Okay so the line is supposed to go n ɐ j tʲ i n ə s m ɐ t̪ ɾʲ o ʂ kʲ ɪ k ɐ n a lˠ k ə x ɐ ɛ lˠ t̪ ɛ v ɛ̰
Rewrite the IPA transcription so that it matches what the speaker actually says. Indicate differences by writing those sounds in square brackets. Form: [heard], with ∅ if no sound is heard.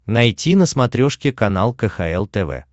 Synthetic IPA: n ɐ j tʲ i n ə s m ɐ t̪ ɾʲ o ʂ kʲ ɪ k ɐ n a lˠ k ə x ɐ ɛ lˠ t̪ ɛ v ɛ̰

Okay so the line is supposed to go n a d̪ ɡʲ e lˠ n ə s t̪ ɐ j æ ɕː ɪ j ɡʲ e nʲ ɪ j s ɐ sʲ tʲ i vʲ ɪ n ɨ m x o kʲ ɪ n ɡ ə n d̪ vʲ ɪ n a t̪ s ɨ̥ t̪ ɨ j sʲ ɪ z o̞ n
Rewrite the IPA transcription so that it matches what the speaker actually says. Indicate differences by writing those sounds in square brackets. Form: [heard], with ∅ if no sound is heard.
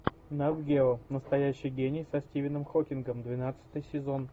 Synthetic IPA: n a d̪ ɡʲ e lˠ n ə s t̪ ɐ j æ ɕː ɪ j ɡʲ e nʲ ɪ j s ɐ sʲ tʲ i vʲ ɪ n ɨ m x o kʲ ɪ n ɡ ə [m] d̪ vʲ ɪ n a t̪ s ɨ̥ t̪ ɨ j sʲ ɪ z o̞ n

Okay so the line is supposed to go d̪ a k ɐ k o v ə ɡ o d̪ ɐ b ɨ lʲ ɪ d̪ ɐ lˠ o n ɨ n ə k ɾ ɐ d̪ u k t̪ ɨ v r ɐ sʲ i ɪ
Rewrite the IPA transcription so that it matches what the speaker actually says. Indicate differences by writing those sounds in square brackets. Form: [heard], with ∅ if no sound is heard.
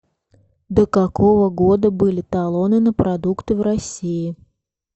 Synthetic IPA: d̪ [ə] k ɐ k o v ə ɡ o d̪ [ə] b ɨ lʲ ɪ [t̪] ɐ lˠ o n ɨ n ə [p] ɾ ɐ d̪ u k t̪ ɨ v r ɐ sʲ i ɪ

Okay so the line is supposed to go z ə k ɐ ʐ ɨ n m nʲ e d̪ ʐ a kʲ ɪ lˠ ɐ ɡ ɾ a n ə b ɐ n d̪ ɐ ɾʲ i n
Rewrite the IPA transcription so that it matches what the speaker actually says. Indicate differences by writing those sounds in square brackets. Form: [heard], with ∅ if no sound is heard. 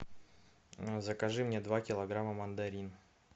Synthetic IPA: z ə k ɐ ʐ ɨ [∅] m nʲ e d̪ [v] a kʲ ɪ lˠ ɐ ɡ ɾ a [m] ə [m] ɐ n d̪ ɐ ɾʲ i n

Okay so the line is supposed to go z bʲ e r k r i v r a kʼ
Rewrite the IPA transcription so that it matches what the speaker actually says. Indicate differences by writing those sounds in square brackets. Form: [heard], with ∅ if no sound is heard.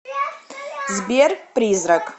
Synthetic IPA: z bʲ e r [p] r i [z] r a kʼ

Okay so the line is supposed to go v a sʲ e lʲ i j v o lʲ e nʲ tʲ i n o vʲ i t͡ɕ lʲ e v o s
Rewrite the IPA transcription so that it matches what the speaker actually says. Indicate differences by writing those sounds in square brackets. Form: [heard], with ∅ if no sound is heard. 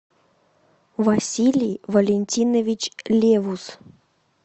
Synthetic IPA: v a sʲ [i] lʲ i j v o lʲ e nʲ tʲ i n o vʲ i t͡ɕ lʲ e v [u] s

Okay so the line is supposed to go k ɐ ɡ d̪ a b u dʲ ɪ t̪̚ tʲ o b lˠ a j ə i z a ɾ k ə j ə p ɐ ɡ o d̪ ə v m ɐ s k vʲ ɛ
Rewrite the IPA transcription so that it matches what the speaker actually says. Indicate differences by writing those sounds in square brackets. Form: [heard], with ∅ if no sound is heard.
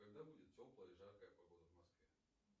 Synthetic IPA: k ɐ ɡ d̪ a b u dʲ ɪ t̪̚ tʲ o [p] lˠ [ə] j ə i [ʐ] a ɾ k ə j ə p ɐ ɡ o d̪ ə v m ɐ s k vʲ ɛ

